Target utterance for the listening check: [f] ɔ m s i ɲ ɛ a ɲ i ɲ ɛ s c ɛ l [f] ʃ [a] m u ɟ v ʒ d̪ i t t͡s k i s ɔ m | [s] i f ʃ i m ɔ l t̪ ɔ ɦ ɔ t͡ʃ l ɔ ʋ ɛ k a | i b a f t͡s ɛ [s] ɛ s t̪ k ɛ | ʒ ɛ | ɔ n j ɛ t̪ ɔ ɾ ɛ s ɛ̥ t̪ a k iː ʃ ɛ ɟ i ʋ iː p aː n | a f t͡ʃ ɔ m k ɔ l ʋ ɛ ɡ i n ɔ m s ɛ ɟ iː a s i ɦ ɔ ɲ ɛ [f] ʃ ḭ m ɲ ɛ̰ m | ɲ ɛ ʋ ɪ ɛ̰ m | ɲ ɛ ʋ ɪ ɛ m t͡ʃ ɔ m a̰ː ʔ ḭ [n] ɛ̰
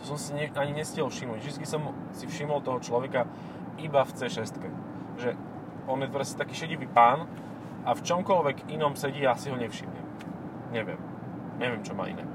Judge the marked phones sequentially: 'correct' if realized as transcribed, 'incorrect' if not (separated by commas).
incorrect, correct, incorrect, correct, incorrect, correct, correct